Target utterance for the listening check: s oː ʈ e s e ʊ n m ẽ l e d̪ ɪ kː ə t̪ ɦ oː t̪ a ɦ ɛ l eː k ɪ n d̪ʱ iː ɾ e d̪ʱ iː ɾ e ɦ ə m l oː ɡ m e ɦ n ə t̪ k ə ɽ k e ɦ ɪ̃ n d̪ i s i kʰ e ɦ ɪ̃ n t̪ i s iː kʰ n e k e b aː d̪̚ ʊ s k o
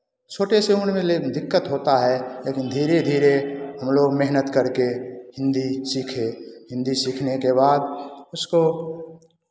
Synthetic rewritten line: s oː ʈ e s e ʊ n m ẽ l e d̪ ɪ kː ə t̪ ɦ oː t̪ a ɦ ɛ l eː k ɪ n d̪ʱ iː ɾ e d̪ʱ iː ɾ e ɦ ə m l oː ɡ m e ɦ n ə t̪ k ə ɾ k e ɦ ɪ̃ n d̪ i s i kʰ e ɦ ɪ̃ n d̪ i s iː kʰ n e k e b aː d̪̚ ʊ s k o